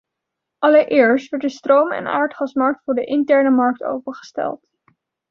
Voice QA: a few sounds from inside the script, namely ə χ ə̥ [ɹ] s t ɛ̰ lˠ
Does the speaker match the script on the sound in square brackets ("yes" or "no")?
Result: no